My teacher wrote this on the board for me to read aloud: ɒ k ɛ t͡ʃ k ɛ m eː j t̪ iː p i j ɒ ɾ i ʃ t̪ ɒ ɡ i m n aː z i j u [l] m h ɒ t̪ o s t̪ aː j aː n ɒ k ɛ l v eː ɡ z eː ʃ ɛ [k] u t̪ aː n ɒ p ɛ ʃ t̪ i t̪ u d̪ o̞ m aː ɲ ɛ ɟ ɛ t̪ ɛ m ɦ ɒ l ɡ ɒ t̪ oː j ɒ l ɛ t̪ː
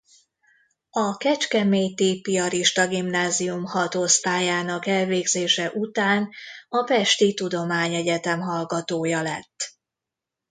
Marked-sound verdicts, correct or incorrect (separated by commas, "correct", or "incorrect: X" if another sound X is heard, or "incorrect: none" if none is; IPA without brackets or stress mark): incorrect: none, incorrect: ʔ